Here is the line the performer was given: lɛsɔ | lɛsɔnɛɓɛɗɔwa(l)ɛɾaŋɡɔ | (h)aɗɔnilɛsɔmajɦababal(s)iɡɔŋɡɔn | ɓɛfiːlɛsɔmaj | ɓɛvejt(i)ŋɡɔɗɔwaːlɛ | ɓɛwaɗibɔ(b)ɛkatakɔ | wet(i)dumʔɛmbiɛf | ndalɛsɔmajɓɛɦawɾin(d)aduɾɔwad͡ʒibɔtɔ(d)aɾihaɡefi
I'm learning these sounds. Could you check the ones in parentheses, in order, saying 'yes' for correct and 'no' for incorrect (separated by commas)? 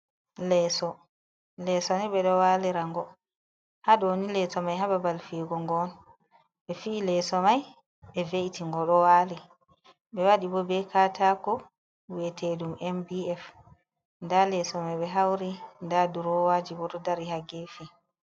yes, yes, no, yes, yes, no, yes, yes